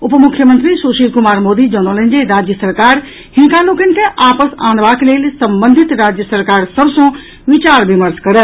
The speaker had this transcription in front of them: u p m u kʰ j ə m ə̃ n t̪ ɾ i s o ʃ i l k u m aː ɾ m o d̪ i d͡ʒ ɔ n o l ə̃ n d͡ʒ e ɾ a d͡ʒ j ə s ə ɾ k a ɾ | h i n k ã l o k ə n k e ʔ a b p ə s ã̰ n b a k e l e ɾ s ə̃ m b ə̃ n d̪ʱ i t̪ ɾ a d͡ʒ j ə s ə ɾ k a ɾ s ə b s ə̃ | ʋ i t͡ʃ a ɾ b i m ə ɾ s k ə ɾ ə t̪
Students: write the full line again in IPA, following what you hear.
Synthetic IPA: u p m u kʰ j ə m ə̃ n t̪ ɾ i s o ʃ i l k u m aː ɾ m o d̪ i d͡ʒ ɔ n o l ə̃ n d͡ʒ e ɾ a d͡ʒ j ə s ə ɾ k a ɾ | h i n k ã l o k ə n k e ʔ a p ə s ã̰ n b a k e l e l s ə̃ m b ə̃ n d̪ʱ i t̪ ɾ a d͡ʒ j ə s ə ɾ k a ɾ s ə b s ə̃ | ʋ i t͡ʃ a ɾ b i m ə ɾ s k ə ɾ ə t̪